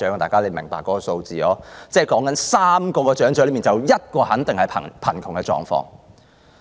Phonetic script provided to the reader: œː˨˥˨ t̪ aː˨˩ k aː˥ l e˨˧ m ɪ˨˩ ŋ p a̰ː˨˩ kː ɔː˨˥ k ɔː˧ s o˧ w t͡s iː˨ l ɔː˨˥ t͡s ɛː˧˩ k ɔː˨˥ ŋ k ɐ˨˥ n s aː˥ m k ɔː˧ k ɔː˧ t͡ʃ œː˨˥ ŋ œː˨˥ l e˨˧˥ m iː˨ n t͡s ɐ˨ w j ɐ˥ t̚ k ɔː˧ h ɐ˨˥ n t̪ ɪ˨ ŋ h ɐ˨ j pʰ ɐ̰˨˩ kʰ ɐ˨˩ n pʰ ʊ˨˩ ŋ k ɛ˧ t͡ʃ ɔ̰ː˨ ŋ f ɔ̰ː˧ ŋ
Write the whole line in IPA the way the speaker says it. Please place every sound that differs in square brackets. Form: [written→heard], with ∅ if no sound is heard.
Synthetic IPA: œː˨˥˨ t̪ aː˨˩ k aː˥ l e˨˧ m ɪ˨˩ ŋ p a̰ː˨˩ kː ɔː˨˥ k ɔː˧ s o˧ w t͡s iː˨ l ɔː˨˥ t͡s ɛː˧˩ k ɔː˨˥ ŋ k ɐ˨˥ n s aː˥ m k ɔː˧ k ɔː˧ t͡ʃ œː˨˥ ŋ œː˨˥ l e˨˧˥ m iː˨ n t͡s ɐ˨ w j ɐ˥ t̚ k ɔː˧ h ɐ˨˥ n t̪ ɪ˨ ŋ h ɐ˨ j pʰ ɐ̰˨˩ [kʰ→pʰ] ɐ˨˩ n [pʰ→kʰ] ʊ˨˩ ŋ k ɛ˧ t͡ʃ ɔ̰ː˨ ŋ f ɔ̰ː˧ ŋ

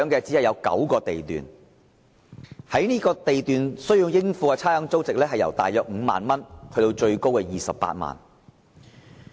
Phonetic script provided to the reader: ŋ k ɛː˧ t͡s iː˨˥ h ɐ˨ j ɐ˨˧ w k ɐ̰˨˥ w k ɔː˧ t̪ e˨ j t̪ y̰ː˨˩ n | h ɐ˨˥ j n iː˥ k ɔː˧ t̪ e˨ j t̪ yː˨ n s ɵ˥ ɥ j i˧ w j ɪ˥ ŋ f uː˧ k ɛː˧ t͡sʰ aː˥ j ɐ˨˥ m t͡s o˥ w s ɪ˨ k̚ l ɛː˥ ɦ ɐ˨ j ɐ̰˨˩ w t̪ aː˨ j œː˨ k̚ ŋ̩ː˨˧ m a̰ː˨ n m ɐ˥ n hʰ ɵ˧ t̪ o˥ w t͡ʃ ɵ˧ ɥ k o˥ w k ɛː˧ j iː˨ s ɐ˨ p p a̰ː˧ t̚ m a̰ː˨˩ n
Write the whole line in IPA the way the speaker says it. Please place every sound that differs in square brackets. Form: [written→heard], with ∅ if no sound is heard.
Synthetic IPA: ŋ k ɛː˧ t͡s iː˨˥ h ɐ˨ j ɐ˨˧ w k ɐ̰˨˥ w k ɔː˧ t̪ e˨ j t̪ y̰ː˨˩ n | h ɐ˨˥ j n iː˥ k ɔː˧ t̪ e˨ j t̪ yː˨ n s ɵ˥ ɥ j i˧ w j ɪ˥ ŋ f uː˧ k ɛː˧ t͡sʰ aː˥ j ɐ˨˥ [m→ŋ] t͡s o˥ w [s→t͡s] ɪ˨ k̚ l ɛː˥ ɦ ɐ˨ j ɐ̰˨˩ w t̪ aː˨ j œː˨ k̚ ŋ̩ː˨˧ m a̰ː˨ n m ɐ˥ n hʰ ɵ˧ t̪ [o˥→o˧] w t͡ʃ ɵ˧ ɥ k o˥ w k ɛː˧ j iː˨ s ɐ˨ p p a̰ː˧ t̚ m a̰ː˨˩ n

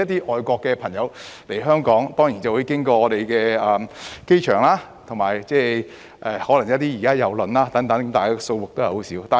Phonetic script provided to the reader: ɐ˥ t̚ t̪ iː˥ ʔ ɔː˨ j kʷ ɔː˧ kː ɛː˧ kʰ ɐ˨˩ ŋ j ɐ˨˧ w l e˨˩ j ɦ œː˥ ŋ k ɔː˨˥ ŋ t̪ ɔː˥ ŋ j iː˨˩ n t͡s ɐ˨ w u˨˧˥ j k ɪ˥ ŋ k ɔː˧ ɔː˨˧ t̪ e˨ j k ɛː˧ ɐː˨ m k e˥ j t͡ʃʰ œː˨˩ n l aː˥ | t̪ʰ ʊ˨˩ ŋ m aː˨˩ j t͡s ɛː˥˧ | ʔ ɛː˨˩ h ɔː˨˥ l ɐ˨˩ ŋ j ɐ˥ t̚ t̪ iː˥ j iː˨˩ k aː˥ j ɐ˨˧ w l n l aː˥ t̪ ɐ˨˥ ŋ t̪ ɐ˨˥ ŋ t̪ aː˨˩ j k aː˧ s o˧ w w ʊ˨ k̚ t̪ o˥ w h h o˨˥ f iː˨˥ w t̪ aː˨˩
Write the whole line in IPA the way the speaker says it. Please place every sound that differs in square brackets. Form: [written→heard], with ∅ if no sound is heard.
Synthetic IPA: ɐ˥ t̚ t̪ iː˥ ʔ ɔː˨ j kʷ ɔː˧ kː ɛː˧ [kʰ→pʰ] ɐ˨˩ ŋ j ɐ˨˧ w l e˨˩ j ɦ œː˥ ŋ k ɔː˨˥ ŋ t̪ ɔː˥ ŋ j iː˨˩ n t͡s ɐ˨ w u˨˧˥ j k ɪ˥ ŋ k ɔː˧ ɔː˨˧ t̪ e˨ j k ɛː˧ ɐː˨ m k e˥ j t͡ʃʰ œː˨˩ [n→ŋ] l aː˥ | t̪ʰ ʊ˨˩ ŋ m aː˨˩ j t͡s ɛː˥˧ | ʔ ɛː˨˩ h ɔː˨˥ l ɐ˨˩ ŋ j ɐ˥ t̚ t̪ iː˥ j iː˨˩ k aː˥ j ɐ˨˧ w l n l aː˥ t̪ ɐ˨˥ ŋ t̪ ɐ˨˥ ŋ t̪ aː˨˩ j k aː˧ s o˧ w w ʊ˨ k̚ t̪ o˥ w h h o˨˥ [f→s] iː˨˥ w t̪ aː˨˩

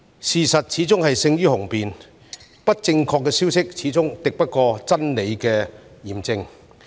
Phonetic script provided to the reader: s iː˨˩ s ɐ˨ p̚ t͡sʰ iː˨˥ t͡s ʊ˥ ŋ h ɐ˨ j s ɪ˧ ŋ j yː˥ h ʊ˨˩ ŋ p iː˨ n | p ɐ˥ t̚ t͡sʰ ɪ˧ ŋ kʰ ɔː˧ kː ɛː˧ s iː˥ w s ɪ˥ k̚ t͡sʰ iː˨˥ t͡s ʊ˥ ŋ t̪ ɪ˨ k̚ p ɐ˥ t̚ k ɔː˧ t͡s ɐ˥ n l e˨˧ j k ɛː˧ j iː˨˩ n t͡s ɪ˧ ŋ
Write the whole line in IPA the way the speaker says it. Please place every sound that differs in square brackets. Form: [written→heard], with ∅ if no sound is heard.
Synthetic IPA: s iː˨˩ s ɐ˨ [p̚→t̚] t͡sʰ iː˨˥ t͡s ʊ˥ ŋ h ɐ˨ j s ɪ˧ ŋ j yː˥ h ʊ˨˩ ŋ p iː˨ n | p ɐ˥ t̚ [t͡sʰ→t͡s] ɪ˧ ŋ kʰ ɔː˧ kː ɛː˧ s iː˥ w s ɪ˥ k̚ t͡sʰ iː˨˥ t͡s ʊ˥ ŋ t̪ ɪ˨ k̚ p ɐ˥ t̚ k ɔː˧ t͡s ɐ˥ n l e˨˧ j k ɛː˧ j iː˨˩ [n→m] t͡s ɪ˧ ŋ

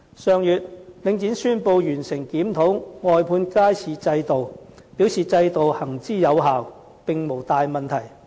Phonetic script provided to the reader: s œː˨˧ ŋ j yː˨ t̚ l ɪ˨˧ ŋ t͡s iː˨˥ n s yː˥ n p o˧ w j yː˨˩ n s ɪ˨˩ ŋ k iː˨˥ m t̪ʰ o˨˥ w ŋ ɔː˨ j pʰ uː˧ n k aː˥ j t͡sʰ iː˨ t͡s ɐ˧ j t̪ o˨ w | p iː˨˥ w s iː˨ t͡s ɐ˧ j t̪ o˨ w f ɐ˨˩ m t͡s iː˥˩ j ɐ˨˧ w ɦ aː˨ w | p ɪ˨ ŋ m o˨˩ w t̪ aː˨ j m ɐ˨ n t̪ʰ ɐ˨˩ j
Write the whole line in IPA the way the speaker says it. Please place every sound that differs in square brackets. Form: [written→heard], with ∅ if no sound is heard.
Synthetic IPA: s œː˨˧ ŋ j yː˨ t̚ l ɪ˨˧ ŋ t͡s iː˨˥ n s yː˥ n p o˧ w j yː˨˩ n s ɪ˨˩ ŋ k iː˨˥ m t̪ʰ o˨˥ w ŋ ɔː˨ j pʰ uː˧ n k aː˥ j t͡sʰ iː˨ t͡s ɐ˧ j t̪ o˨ w | p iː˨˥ w s iː˨ t͡s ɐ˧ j t̪ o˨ w [f→h] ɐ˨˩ [m→ŋ] t͡s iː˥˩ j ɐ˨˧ w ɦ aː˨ w | p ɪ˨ ŋ m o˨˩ w t̪ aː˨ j m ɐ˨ n t̪ʰ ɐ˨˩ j

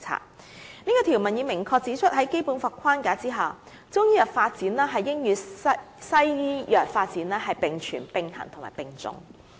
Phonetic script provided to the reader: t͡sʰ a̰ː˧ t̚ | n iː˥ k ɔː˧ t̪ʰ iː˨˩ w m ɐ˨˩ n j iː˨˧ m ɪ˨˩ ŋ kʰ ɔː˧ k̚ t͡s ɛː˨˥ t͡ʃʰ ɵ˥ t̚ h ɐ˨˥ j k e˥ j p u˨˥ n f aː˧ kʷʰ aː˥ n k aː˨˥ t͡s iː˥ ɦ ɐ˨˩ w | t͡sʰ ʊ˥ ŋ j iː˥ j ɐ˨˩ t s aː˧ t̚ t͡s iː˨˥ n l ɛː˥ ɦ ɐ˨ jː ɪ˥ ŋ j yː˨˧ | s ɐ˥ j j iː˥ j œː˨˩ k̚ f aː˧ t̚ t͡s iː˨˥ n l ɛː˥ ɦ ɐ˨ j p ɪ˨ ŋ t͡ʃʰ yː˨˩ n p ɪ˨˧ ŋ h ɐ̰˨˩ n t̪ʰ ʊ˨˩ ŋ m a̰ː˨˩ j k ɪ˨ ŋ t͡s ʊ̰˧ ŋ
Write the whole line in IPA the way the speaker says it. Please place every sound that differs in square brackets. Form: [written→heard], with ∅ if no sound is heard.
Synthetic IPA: t͡sʰ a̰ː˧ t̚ | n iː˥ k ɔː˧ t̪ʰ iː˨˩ w m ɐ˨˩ n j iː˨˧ m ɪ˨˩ ŋ kʰ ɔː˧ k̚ t͡s [ɛː˨˥→iː˨˥] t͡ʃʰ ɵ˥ t̚ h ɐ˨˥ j k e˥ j p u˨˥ n f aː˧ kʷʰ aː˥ n k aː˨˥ t͡s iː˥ ɦ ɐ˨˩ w | [t͡sʰ→t͡s] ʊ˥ ŋ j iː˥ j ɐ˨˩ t [s→f] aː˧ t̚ t͡s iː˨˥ n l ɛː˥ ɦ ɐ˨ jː ɪ˥ ŋ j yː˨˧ | s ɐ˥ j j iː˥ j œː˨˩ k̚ f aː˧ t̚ t͡s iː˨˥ n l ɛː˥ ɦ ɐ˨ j p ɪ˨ ŋ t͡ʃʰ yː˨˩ n p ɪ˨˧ ŋ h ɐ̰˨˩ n t̪ʰ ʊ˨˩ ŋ m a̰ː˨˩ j [k→p] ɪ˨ ŋ t͡s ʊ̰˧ ŋ

